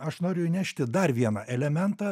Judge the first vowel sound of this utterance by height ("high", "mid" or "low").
low